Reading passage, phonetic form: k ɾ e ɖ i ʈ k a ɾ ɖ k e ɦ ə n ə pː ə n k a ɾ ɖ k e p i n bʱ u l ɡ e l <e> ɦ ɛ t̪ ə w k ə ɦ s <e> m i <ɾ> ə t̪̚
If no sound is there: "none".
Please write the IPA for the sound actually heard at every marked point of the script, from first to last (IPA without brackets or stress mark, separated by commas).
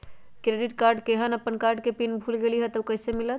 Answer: i, e, l